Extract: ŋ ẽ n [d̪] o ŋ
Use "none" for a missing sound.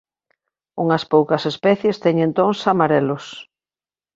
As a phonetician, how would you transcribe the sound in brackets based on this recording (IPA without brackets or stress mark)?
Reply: t̪